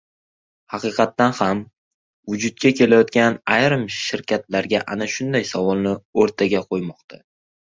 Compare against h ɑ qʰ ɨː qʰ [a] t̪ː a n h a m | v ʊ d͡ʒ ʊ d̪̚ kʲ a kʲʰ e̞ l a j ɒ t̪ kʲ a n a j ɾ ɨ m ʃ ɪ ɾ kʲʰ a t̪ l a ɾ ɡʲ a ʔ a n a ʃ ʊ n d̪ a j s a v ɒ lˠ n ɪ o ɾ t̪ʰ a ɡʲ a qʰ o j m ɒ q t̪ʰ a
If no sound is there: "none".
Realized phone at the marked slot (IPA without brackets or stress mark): ɑ